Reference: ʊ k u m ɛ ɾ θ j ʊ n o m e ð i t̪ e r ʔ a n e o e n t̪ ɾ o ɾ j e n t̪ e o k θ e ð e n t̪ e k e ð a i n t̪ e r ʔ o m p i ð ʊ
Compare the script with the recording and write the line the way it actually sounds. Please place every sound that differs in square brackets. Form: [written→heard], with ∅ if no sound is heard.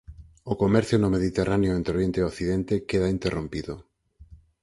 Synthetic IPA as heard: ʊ k [u→o] m ɛ ɾ θ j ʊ n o m e ð i t̪ e r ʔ a n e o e n t̪ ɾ o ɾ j e n t̪ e o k θ [e→i] ð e n t̪ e k e ð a i n t̪ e r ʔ o m p i ð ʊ